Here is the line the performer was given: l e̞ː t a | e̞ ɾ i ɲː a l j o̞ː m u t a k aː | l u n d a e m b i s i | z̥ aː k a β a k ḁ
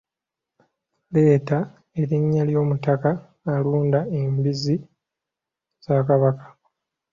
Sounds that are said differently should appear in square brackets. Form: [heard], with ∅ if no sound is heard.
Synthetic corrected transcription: l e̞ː t a | e̞ ɾ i ɲː a l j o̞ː m u t a k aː | l [uː] n d a e m b i [z] i | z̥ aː k a β a k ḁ